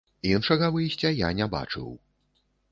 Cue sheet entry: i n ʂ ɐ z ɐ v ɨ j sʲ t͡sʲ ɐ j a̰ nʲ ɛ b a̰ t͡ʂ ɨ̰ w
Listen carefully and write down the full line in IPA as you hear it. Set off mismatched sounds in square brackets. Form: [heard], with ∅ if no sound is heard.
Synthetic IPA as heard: i n ʂ ɐ [ɣ] ɐ v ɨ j sʲ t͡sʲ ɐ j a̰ nʲ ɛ b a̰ t͡ʂ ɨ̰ w